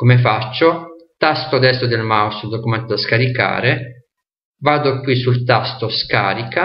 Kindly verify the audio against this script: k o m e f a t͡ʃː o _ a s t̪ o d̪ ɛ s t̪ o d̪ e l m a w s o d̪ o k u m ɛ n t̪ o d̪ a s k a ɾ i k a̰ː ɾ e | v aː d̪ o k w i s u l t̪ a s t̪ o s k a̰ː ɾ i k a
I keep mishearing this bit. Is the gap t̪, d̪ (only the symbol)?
t̪